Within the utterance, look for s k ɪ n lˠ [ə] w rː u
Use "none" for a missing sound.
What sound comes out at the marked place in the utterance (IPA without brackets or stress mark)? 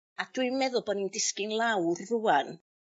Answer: a